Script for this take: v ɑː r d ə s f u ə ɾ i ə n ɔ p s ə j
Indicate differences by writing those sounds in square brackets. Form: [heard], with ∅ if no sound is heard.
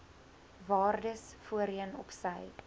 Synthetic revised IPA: v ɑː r d ə s f u ə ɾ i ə n ɔ p s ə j